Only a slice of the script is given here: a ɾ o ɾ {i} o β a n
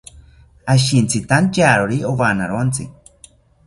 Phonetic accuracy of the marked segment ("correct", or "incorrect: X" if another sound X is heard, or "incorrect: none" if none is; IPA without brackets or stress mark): correct